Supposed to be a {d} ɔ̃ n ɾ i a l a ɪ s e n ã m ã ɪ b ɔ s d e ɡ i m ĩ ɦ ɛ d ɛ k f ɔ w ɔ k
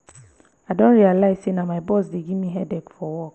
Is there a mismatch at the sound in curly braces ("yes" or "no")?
no